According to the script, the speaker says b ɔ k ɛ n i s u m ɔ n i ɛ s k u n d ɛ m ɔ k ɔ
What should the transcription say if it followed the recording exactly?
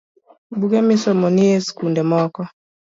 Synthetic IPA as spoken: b u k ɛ m i s ɔ m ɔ n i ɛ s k u n d ɛ m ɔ k ɔ